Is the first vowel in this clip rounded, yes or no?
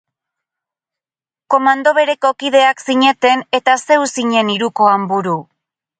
yes